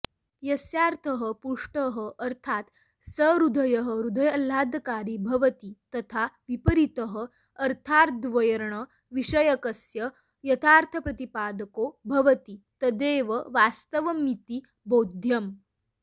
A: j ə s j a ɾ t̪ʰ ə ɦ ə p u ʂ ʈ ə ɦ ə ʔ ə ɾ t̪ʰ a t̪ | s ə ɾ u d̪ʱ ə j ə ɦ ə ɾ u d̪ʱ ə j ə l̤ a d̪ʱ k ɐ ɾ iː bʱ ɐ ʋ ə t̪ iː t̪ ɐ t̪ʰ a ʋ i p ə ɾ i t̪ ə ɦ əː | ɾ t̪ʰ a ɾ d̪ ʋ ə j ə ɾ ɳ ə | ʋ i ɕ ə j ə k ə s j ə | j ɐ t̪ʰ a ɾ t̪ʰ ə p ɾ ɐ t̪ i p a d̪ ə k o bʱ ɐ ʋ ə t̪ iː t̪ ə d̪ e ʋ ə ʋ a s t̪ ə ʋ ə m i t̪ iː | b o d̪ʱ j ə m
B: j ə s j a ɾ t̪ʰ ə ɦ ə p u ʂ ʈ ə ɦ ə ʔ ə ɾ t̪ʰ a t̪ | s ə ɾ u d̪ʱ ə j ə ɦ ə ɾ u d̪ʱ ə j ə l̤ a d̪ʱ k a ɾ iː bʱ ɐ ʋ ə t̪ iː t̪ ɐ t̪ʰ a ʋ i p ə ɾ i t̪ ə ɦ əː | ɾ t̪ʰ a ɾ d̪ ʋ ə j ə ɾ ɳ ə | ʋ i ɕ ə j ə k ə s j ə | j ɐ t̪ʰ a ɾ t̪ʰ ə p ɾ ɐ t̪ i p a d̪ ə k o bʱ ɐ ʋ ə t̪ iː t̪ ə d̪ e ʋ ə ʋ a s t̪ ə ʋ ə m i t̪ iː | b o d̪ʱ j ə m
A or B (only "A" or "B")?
B